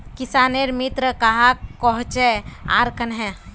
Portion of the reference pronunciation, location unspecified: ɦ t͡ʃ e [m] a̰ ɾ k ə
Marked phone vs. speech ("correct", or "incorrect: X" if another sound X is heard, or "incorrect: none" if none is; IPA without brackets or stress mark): incorrect: none